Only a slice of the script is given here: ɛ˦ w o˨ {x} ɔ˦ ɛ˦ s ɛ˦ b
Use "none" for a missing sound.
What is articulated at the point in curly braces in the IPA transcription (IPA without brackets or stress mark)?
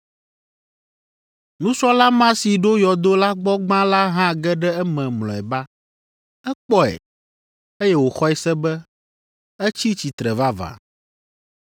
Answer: x